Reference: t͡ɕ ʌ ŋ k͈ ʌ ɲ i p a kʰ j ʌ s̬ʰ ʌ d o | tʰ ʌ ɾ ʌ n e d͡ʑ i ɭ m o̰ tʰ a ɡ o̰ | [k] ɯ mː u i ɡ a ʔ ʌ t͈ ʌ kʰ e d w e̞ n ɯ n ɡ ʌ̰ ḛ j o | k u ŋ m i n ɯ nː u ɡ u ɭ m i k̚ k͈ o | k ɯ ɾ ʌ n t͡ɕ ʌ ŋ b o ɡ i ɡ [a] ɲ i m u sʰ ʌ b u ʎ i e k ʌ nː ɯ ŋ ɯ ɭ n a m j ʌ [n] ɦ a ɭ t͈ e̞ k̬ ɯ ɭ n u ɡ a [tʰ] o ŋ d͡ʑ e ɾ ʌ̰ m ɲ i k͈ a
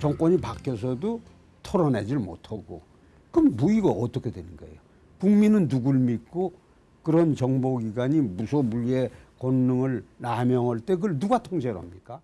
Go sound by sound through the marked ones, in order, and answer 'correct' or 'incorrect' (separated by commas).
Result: correct, correct, incorrect, correct